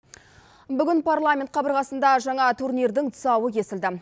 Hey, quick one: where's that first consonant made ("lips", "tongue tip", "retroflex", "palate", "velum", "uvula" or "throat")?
lips